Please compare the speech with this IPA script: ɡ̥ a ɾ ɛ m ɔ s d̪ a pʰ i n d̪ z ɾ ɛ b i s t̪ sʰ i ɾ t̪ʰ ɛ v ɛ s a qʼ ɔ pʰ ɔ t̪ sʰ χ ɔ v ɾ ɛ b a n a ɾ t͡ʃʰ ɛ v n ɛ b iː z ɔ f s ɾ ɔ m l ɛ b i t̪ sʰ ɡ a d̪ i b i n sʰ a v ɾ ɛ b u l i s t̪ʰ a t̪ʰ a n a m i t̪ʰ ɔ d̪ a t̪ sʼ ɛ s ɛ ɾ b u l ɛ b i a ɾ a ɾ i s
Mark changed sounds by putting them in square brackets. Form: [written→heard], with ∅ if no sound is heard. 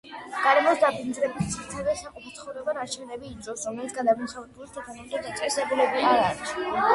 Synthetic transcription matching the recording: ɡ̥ a ɾ ɛ m ɔ s d̪ a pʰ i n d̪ z ɾ ɛ b i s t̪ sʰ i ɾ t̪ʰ ɛ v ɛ s a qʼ ɔ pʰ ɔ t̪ sʰ χ ɔ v ɾ ɛ b a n a ɾ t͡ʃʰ ɛ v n ɛ b iː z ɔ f s ɾ ɔ m l ɛ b i t̪ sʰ ɡ a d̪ [i→a] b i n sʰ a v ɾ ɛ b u l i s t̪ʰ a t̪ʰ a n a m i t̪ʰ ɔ d̪ a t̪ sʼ ɛ s ɛ [ɾ→∅] b u l ɛ b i a ɾ a ɾ i s